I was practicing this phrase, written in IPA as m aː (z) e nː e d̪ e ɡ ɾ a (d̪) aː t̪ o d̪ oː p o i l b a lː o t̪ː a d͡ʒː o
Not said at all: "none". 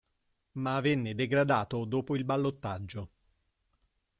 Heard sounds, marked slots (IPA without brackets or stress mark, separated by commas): v, d̪